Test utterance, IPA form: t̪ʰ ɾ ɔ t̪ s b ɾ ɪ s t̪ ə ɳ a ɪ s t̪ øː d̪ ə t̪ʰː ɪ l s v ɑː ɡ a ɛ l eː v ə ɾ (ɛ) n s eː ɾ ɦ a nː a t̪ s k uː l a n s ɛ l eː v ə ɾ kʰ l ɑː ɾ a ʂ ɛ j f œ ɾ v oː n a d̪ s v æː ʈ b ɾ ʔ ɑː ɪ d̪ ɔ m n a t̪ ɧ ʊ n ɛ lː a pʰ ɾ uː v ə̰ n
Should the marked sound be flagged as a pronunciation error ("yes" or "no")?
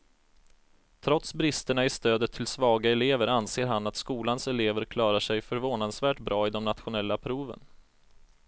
yes